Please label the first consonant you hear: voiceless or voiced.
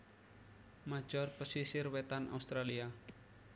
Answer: voiced